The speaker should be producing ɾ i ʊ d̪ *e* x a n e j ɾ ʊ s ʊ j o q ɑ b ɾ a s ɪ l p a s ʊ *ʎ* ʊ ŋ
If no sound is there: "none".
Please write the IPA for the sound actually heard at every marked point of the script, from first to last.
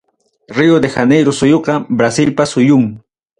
e, j

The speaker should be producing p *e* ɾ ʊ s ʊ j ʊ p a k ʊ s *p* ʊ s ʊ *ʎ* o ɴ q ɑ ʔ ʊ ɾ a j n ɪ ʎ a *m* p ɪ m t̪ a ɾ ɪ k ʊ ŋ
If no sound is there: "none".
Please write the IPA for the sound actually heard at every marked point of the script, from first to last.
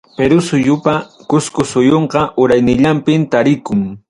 e, k, j, m

